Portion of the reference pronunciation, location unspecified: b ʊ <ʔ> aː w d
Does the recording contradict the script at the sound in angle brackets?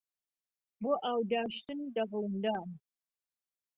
no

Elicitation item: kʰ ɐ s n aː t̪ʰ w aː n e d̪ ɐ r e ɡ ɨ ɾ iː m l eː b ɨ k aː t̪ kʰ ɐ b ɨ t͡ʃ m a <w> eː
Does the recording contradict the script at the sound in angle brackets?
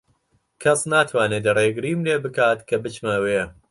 no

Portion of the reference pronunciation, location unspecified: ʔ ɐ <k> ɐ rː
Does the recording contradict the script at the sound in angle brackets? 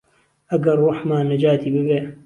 yes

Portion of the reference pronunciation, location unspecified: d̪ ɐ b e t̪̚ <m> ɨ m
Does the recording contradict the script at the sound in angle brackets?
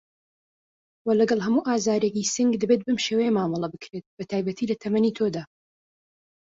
yes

